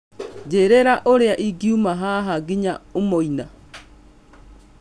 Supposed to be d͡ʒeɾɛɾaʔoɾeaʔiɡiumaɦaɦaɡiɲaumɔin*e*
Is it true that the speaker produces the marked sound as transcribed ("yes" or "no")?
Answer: no